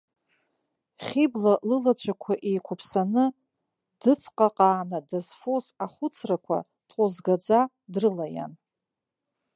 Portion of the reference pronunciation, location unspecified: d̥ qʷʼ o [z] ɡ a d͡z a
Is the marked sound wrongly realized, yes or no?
no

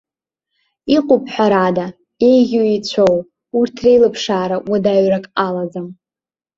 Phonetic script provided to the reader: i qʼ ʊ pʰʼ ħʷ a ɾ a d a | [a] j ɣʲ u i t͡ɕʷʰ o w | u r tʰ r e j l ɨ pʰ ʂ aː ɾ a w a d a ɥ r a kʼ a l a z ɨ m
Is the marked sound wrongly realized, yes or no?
yes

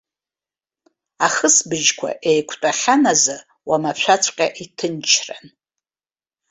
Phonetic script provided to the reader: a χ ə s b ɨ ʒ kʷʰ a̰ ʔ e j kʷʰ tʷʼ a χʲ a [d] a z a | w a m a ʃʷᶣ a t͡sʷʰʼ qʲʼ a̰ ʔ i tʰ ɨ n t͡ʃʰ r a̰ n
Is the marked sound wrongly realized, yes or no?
yes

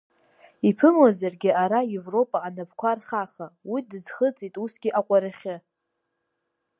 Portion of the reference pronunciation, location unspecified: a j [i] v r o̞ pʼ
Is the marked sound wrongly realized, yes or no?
yes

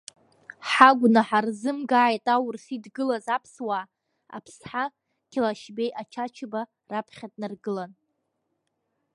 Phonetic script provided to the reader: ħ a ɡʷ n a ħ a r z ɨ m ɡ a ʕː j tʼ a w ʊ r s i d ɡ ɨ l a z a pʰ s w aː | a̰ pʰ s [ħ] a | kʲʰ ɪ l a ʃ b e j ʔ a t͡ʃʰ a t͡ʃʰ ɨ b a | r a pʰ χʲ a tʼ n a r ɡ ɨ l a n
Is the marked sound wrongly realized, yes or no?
no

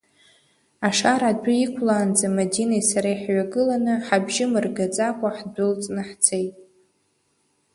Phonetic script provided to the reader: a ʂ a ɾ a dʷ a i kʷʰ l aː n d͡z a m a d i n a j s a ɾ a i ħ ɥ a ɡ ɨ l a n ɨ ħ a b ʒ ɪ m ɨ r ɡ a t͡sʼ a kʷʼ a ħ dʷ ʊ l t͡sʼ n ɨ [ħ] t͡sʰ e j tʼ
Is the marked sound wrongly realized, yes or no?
no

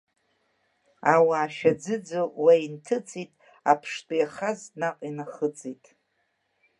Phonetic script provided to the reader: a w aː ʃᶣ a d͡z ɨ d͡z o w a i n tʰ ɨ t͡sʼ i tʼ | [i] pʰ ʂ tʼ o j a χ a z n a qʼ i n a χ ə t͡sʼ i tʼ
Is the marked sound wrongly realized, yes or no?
yes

